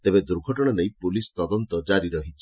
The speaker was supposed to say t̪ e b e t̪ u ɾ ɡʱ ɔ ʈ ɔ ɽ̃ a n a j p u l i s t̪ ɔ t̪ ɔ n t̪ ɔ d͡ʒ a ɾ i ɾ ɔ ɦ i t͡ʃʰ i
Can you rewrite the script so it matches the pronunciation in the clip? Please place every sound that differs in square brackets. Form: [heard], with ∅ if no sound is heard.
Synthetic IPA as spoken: t̪ e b e [d̪] u ɾ ɡʱ ɔ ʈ ɔ ɽ̃ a n [e] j p u l i s t̪ ɔ [d̪] ɔ n t̪ ɔ d͡ʒ a ɾ i ɾ ɔ ɦ i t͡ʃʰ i